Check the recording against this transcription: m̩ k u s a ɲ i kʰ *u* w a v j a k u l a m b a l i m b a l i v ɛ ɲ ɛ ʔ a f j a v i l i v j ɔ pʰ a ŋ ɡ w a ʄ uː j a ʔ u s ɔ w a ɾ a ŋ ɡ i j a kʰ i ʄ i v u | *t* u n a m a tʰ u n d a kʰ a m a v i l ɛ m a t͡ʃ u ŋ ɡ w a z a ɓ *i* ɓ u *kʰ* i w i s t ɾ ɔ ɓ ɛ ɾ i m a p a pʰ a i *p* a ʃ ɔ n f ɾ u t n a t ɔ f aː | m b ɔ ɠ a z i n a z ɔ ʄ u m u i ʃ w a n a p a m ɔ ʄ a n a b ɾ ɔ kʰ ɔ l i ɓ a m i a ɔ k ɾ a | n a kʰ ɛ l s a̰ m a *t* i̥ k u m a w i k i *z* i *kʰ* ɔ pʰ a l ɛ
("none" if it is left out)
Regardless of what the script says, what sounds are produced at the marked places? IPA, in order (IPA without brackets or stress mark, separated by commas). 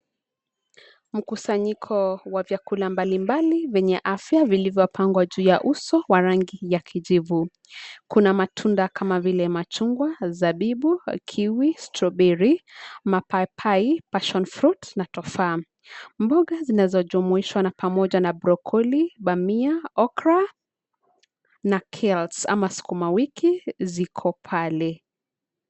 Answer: ɔ, k, i, kʰ, p, s, z, kʰ